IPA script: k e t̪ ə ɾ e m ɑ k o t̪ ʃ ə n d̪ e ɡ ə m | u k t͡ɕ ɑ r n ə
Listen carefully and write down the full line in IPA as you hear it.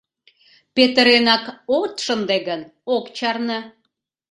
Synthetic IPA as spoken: p e t̪ ə ɾ e n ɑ k o t̪ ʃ ə n d̪ e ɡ ə n | o k t͡ɕ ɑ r n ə